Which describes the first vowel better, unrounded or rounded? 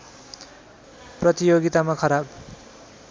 unrounded